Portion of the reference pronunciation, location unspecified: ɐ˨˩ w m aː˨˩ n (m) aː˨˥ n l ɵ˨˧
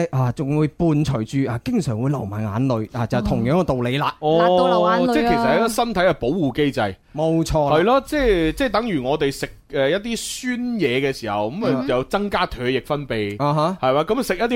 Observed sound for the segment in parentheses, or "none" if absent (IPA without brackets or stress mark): ŋ